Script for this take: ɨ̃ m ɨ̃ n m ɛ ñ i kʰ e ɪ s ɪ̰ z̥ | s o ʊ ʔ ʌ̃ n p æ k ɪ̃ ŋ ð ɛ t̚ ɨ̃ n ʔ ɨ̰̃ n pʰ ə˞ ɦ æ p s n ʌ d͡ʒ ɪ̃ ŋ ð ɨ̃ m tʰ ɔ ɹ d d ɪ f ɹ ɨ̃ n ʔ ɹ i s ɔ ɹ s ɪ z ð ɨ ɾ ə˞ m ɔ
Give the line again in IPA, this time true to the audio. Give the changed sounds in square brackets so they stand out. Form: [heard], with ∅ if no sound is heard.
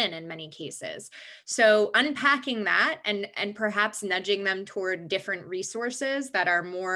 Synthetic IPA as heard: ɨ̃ [n] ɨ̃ n m ɛ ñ i kʰ e ɪ s ɪ̰ z̥ | s o ʊ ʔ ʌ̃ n [pʰ] æ k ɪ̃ ŋ ð [æ] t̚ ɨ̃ n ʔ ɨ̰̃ n pʰ ə˞ ɦ æ p s n ʌ d͡ʒ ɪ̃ ŋ ð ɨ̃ m tʰ ɔ ɹ d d ɪ f ɹ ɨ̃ n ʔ ɹ i s ɔ ɹ s ɪ z ð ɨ ɾ ə˞ m ɔ